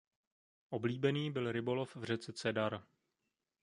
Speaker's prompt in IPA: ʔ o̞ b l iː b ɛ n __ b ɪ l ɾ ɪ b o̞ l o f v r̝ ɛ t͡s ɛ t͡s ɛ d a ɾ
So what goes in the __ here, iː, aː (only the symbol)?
iː